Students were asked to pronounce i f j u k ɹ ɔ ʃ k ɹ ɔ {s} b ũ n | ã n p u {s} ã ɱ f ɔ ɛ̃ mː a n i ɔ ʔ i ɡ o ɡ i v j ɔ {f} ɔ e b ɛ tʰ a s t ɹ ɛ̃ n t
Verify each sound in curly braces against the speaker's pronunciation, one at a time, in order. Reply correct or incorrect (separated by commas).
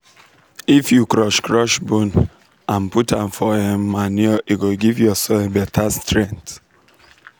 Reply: incorrect, incorrect, incorrect